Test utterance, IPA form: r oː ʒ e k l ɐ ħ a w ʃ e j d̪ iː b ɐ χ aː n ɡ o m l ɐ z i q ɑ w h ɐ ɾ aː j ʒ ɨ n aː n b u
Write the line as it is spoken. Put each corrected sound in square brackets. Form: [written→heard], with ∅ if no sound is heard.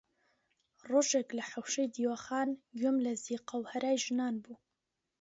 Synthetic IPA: r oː ʒ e k l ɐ ħ a w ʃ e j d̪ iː [b→w] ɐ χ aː n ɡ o m l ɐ z i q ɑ w h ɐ ɾ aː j ʒ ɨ n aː n b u